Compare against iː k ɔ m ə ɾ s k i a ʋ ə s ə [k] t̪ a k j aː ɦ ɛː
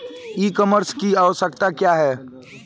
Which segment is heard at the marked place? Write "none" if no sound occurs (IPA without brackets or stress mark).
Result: k